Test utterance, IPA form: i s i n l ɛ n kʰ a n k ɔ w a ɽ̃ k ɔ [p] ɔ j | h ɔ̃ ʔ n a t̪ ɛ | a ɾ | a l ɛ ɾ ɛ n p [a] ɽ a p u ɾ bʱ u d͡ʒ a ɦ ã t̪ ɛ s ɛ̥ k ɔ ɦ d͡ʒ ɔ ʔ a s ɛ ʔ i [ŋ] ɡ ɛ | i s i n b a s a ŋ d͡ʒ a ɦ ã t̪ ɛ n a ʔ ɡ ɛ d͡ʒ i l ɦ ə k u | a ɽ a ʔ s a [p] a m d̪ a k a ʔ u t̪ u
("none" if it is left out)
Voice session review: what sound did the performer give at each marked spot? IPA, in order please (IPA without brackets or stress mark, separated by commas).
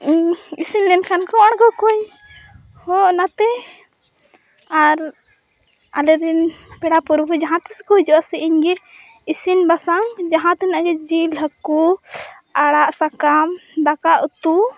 k, ɛ, ɲ, k